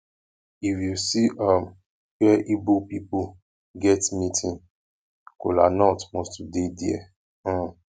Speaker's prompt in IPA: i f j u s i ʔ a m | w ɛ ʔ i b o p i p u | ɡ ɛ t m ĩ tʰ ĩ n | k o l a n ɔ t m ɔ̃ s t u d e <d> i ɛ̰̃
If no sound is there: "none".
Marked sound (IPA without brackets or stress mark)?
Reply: d